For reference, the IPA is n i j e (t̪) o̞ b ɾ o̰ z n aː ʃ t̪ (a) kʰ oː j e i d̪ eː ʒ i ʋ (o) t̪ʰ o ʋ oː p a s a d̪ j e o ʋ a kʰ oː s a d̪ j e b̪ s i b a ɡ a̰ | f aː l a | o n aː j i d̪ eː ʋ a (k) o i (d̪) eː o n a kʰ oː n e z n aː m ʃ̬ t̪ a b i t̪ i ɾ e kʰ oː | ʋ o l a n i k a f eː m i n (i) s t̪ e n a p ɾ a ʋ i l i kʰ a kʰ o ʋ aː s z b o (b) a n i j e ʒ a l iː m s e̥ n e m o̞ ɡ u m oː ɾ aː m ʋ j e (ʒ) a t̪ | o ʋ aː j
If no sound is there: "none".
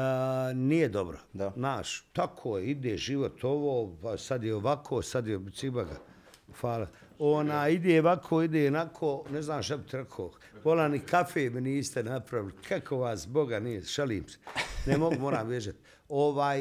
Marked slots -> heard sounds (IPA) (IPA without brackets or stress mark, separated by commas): d̪, a, o, kʰ, d̪, iː, ɡ, ʒ